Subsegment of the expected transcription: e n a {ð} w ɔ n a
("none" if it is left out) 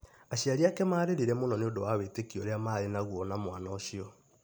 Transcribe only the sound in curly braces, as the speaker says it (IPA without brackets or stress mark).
ɣ